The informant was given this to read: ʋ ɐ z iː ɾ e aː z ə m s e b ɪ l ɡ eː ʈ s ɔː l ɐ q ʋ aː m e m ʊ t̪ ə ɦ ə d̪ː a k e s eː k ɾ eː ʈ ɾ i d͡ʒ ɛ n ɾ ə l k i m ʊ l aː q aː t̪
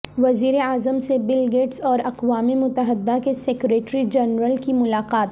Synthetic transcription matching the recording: ʋ ɐ z iː ɾ e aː z ə m s e b ɪ l ɡ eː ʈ s ɔː ɾ ɐ q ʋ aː m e m ʊ t̪ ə ɦ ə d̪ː a k e s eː k ɾ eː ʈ ɾ i d͡ʒ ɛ n ɾ ə l k i m ʊ l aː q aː t̪